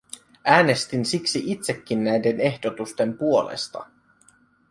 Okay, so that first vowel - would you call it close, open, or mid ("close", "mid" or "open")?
open